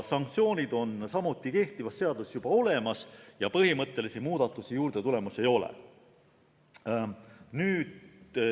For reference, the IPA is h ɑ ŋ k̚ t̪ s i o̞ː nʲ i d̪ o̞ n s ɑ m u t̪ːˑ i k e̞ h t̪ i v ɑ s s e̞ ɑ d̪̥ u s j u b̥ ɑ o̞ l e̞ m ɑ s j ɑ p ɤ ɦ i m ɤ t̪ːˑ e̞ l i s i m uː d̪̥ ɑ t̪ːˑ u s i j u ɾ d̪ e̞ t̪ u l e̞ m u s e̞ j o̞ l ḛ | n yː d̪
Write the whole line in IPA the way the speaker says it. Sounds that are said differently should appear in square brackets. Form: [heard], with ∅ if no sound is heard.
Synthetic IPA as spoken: [s] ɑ ŋ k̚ t̪ s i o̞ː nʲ i d̪ o̞ n s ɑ m u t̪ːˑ i k e̞ h t̪ i v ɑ s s e̞ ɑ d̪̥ u s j u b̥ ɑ o̞ l e̞ m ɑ s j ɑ p ɤ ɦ i m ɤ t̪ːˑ e̞ l i s i m uː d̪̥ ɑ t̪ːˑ u s i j [uː] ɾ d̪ e̞ t̪ u l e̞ m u s e̞ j o̞ l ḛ | n yː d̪